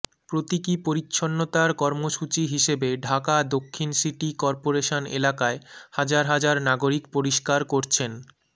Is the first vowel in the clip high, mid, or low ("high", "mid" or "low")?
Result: mid